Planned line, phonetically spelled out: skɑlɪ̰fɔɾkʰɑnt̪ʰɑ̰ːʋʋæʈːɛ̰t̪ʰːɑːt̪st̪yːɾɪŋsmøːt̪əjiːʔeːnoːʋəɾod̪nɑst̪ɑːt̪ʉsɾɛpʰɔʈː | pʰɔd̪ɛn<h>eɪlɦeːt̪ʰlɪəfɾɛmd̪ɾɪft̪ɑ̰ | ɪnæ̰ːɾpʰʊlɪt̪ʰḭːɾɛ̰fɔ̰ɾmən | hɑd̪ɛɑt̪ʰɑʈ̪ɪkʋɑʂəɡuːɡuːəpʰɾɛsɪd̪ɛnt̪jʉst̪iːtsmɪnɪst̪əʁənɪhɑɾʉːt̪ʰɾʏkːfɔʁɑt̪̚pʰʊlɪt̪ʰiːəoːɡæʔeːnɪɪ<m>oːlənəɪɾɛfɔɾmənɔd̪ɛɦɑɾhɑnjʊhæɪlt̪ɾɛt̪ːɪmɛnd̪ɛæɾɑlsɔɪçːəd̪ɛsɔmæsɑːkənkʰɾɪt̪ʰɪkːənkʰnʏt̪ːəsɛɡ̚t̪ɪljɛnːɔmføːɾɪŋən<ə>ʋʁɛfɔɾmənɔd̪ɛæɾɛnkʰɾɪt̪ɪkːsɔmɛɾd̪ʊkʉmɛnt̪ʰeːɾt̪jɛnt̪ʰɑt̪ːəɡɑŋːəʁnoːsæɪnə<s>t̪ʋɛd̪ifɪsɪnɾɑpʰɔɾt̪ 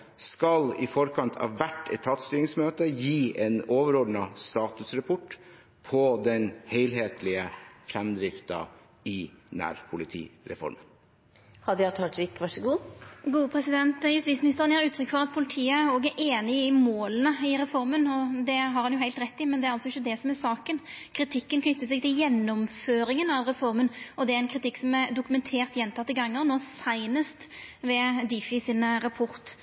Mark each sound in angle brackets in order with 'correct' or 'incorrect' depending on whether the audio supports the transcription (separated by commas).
correct, correct, incorrect, correct